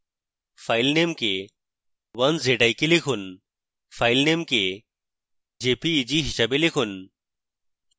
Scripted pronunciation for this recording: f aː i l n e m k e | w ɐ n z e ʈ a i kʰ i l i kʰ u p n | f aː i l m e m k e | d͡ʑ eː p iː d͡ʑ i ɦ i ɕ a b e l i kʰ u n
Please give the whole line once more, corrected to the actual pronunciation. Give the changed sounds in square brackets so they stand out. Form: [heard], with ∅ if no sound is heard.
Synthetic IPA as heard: f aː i l n e m k e | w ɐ n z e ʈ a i [k] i l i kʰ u [∅] n | f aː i l [n] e m k e | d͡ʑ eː p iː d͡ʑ i ɦ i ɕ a b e l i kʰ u n